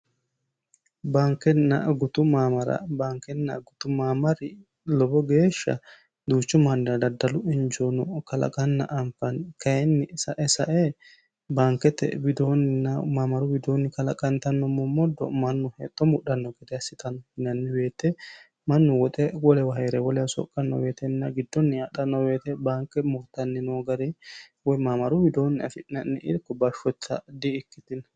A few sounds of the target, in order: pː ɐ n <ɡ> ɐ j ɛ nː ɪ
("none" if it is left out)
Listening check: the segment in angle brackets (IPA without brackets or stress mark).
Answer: k